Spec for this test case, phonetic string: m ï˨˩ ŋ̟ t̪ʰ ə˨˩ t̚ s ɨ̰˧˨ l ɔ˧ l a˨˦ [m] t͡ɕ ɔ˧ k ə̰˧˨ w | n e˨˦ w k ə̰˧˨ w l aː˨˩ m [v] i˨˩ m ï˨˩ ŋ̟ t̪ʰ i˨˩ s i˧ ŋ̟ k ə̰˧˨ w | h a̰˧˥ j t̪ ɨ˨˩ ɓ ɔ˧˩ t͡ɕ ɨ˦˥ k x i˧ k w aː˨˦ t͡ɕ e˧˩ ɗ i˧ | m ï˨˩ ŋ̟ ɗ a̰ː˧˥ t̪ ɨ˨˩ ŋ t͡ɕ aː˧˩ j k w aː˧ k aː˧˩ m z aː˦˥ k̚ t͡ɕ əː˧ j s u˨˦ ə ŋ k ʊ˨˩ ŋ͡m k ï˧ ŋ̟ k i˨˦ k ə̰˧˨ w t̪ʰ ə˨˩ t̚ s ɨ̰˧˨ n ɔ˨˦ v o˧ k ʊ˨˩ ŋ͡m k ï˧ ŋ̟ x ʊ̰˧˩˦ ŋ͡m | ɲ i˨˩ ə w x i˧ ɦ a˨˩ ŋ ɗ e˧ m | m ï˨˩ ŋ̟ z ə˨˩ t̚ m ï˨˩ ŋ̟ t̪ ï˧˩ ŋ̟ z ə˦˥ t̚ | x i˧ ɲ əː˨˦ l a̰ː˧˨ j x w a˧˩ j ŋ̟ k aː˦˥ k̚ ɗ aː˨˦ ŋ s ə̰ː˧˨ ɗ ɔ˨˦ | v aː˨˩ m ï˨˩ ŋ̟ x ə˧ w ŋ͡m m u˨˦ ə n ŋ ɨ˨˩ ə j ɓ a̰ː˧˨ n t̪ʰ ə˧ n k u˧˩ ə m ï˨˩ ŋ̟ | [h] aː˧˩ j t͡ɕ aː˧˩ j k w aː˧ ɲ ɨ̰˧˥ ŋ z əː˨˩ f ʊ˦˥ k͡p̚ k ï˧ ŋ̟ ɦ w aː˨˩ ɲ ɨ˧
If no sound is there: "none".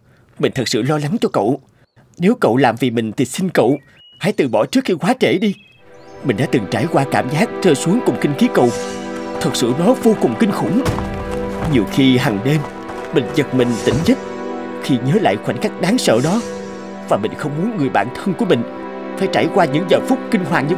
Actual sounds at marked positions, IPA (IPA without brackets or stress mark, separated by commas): ŋ, v, f